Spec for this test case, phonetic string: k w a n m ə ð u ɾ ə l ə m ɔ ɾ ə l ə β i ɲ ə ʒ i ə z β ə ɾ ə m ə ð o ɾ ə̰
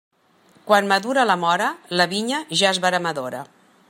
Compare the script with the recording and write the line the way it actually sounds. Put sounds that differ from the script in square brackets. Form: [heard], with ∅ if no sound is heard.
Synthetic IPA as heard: k w a n m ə ð u ɾ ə l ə m ɔ ɾ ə l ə β i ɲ ə ʒ [a] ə z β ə ɾ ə m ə ð o ɾ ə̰